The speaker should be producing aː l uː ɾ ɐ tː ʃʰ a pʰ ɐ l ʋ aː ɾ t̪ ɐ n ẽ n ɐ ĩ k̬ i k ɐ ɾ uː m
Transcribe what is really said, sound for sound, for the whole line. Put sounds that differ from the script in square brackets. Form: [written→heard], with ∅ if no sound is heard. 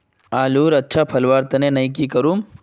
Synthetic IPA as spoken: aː l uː ɾ ɐ tː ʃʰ a pʰ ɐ l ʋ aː ɾ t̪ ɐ n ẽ n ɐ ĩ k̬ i k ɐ ɾ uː m